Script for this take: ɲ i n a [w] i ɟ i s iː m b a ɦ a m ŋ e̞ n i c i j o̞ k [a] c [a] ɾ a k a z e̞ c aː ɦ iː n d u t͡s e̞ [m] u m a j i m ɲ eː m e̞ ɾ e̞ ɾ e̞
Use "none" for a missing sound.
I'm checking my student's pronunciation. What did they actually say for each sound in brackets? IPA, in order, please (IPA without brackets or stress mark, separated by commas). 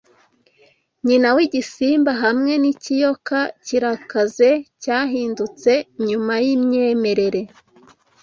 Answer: w, a, i, ɲ